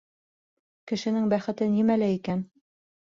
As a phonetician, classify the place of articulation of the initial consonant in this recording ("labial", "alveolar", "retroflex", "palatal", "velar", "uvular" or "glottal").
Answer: velar